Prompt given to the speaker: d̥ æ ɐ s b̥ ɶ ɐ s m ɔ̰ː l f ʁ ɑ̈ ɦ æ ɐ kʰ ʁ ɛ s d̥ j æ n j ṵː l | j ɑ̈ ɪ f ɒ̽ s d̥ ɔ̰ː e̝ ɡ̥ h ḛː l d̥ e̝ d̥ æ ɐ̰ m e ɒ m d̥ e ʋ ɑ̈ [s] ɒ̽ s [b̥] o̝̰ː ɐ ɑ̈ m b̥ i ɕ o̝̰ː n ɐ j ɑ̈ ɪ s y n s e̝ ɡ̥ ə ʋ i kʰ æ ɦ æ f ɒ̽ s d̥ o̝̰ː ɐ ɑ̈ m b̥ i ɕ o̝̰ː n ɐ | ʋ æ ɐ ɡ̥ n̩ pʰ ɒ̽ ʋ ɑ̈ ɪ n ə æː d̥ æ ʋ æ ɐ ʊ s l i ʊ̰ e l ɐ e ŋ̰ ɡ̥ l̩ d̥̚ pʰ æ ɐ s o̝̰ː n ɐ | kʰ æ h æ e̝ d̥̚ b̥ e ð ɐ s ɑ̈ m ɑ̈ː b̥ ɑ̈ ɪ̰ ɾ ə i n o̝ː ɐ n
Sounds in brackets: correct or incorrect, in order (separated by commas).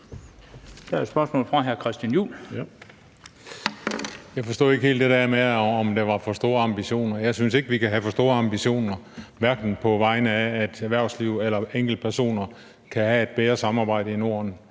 incorrect, incorrect